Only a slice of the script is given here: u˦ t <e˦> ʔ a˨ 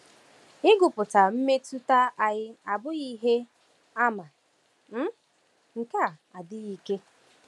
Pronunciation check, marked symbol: incorrect: a˦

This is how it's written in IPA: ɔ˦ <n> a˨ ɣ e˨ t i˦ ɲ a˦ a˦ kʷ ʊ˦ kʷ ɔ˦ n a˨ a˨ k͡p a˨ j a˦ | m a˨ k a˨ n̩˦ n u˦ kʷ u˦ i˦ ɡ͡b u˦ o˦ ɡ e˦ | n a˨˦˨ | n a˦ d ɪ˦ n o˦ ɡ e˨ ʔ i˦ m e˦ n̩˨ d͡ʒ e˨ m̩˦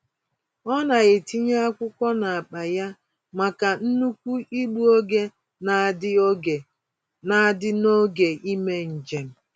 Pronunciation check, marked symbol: correct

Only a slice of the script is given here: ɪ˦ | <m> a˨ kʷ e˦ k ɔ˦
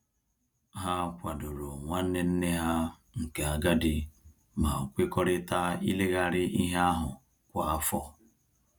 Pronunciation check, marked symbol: correct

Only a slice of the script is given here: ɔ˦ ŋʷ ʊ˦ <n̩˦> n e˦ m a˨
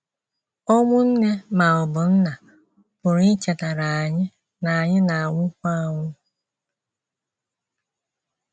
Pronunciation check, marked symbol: correct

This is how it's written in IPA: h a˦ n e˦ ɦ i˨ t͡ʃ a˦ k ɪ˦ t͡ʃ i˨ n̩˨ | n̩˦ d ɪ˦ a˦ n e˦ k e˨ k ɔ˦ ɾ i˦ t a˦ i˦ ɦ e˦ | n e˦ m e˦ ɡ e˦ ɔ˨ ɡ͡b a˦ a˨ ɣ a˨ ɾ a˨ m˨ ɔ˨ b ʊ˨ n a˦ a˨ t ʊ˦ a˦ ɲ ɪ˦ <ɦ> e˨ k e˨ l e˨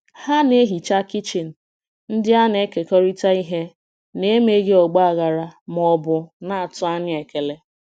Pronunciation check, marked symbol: incorrect: none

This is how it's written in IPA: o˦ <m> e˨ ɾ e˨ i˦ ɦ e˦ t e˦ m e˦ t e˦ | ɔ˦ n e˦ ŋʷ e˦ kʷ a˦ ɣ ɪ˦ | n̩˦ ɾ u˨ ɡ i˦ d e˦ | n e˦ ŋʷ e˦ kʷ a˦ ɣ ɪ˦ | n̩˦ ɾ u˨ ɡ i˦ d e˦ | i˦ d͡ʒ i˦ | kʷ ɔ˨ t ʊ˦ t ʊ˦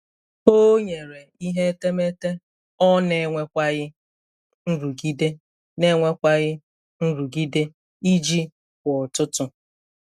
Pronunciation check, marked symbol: incorrect: ɲ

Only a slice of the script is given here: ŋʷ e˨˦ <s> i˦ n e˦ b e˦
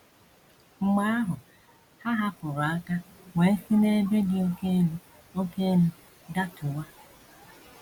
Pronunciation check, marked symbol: correct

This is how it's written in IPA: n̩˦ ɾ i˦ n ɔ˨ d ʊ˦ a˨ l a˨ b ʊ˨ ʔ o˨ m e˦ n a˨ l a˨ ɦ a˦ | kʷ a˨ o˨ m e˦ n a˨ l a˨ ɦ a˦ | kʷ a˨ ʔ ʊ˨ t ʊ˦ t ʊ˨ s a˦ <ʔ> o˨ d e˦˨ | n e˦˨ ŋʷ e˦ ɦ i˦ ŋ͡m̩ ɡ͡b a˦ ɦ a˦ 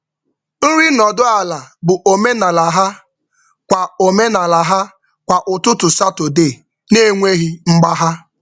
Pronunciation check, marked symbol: incorrect: t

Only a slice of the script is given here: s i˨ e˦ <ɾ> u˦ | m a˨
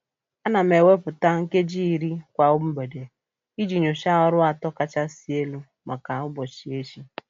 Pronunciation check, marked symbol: incorrect: l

